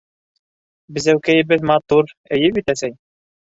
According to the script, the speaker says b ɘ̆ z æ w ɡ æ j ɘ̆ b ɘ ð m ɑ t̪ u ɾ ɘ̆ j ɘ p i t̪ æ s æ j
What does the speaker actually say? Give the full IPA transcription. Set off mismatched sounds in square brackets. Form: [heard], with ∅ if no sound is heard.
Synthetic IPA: b ɘ̆ z æ w [k] æ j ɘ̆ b ɘ ð m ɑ t̪ u ɾ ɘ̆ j ɘ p i t̪ æ s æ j